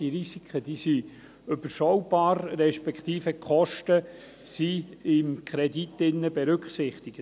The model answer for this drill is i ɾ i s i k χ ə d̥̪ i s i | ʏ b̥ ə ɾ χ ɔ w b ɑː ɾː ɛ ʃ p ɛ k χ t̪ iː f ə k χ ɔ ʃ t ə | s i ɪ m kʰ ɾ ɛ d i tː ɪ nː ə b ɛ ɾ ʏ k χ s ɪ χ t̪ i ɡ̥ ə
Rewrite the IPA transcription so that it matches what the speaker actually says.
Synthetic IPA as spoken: i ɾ i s i k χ ə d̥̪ i s i | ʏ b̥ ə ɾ ʃ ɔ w b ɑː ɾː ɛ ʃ p ɛ k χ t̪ iː f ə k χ ɔ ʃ t ə | s i ɪ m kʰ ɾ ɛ d i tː ɪ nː ə b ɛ ɾ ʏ k χ s ɪ χ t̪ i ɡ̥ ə